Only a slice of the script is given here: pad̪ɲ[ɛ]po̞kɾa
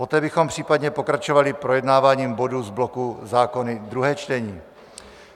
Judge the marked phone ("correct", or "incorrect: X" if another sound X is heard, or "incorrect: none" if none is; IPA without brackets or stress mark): correct